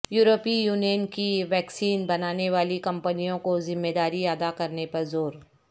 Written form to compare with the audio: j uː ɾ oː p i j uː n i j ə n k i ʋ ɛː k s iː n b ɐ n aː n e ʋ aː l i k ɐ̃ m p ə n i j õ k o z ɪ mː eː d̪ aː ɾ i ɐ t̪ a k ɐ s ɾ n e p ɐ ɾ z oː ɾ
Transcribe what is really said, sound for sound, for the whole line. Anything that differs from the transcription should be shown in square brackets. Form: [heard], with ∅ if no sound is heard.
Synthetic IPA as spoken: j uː ɾ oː p i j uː n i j ə n k i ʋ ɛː k s iː n b ɐ n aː n e ʋ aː l i k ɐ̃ m p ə n i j õ k o z ɪ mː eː d̪ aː ɾ i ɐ [d̪] a k ɐ [∅] ɾ n e p ɐ ɾ z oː ɾ